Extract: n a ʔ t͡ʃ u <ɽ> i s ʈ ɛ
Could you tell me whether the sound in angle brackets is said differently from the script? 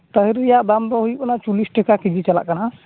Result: yes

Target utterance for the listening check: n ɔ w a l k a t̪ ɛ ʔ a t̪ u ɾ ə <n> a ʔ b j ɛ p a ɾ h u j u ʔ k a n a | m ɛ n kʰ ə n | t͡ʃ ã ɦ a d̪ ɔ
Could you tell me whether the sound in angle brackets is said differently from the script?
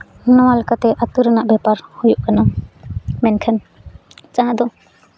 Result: no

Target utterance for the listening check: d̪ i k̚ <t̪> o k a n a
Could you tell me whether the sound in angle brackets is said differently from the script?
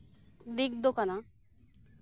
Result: yes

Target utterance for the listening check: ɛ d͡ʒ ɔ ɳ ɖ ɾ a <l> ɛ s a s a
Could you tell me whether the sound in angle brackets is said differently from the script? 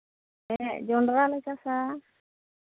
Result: no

